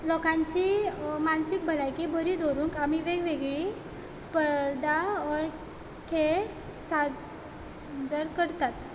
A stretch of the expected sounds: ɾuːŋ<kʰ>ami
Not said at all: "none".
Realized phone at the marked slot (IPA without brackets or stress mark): k